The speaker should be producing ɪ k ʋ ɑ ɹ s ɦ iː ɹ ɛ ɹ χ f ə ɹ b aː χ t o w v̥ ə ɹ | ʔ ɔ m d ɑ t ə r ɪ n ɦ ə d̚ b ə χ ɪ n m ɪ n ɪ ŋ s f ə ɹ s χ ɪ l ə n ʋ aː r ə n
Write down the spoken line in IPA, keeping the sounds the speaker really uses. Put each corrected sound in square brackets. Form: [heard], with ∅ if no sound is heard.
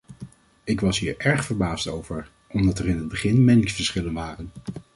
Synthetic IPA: ɪ k ʋ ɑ [∅] s ɦ iː ɹ ɛ ɹ χ f ə ɹ b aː [s] t o w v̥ ə ɹ | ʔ ɔ m d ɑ t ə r ɪ n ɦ ə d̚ b ə χ ɪ n m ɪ n ɪ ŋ s f ə ɹ s χ ɪ l ə n ʋ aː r ə n